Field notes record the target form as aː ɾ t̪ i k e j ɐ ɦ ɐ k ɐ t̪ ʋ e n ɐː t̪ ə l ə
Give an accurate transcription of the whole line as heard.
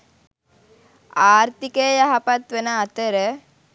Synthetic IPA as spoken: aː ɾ t̪ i k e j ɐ ɦ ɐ p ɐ t̪ ʋ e n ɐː t̪ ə ɾ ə